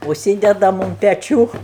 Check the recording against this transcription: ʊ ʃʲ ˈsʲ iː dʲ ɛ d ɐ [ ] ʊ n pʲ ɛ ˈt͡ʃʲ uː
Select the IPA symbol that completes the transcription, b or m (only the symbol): m